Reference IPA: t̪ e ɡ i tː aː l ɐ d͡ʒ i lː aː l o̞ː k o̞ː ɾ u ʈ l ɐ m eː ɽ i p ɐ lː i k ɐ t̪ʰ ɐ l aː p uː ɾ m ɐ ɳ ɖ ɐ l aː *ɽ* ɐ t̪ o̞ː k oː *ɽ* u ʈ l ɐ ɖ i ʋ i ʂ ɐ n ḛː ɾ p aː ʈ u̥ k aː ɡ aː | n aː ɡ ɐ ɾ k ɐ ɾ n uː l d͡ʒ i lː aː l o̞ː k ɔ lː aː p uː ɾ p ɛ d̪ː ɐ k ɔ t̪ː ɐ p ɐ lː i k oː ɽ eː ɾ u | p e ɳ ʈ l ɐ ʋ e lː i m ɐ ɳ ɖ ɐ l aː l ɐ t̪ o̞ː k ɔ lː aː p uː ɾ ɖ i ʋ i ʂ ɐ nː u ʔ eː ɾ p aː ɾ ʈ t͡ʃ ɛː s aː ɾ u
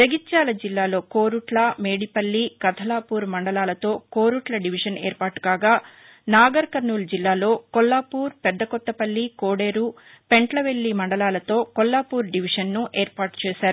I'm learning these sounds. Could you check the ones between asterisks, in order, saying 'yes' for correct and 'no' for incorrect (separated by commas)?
no, no